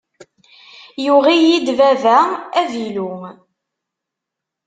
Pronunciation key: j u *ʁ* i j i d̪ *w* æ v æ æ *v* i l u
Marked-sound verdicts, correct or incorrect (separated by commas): correct, incorrect, correct